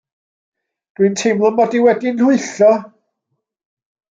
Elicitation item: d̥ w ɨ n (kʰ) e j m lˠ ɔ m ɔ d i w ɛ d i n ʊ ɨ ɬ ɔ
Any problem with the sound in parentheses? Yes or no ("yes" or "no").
yes